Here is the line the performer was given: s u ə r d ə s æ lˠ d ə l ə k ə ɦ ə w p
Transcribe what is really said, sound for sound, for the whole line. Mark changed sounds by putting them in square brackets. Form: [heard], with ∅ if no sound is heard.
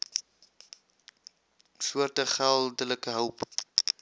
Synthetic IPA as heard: s u ə r [t] ə [χ] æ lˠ d ə l ə k ə ɦ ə w p